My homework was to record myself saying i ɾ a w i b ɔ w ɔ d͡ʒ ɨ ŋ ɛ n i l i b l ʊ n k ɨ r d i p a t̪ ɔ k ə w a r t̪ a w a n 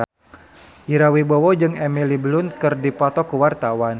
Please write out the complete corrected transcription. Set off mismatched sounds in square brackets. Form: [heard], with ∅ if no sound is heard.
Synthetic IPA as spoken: i ɾ a w i b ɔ w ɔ d͡ʒ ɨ ŋ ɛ [m] i l i b l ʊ n k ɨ r d i p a t̪ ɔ k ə w a r t̪ a w a n